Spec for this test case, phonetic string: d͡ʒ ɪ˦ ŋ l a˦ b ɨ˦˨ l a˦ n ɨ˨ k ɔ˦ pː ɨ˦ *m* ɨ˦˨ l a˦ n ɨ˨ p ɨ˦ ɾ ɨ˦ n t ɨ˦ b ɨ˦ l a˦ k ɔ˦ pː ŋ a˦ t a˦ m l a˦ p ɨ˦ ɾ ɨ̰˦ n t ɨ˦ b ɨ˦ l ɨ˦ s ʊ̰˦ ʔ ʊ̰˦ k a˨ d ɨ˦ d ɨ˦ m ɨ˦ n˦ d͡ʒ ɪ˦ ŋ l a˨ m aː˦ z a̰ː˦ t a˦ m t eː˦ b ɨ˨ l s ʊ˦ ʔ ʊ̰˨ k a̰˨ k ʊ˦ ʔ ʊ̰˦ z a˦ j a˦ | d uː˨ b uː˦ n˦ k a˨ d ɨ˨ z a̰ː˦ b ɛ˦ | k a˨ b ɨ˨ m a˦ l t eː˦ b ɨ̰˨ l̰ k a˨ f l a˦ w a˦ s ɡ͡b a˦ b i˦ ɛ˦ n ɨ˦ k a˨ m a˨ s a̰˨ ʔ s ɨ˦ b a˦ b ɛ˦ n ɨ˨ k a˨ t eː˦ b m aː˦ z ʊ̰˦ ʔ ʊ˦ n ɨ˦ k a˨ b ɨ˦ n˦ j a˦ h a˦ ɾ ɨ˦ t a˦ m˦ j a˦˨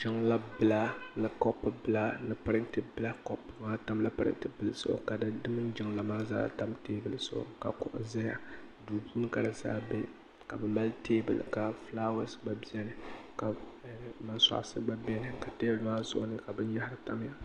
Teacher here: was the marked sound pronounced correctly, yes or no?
no